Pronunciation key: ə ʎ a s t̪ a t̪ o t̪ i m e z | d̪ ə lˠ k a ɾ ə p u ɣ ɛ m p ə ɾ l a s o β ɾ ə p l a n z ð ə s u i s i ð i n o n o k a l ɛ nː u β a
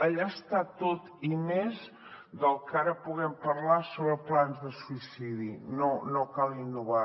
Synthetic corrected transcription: ə ʎ a s t̪ a t̪ o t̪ i m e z | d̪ ə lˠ k a ɾ ə p u ɣ ɛ m p ə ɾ l a s o β ɾ ə p l a n z ð ə s u i s i ð i n o n o k a l i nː u β a